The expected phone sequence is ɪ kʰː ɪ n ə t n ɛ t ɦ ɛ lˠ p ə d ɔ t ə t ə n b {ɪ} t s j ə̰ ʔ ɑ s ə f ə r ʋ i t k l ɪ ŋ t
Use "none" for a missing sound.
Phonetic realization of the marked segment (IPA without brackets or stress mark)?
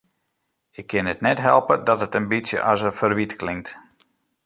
i